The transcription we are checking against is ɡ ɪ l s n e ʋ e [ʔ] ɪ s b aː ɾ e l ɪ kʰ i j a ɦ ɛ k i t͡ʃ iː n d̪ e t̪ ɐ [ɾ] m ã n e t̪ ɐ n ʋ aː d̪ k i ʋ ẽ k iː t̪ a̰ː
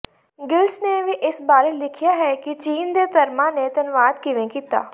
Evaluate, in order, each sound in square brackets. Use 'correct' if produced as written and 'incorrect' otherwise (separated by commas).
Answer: correct, correct